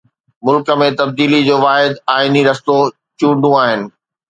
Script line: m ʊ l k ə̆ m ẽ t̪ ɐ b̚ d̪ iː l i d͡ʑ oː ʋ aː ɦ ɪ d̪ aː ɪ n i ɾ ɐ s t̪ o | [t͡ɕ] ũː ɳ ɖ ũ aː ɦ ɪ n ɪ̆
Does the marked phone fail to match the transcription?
no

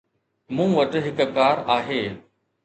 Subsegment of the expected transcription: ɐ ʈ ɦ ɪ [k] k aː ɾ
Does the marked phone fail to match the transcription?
no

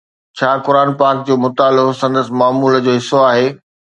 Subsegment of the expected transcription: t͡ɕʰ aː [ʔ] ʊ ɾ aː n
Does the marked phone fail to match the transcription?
yes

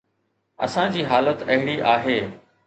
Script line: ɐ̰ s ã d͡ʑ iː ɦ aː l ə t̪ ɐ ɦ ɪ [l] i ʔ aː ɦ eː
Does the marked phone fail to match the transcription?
yes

